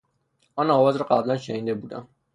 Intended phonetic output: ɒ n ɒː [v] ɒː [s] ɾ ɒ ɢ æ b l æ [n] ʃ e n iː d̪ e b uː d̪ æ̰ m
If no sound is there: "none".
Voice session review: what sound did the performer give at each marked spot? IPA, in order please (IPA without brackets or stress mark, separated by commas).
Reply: v, z, n